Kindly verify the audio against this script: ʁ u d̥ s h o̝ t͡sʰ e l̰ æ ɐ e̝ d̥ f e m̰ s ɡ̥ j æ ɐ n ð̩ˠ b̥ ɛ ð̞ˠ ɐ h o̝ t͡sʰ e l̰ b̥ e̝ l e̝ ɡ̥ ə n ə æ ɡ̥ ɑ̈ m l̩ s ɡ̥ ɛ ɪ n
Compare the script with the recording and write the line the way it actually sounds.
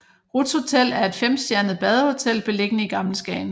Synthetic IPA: ʁ u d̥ s h o̝ t͡sʰ e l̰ æ ɐ e̝ d̥ f e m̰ s d̥ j æ ɐ n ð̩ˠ b̥ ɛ ð̞ˠ ɐ h o̝ t͡sʰ e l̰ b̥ e̝ l e̝ ɡ̥ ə n ə i ɡ̥ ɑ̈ m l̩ s ɡ̥ ɛ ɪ n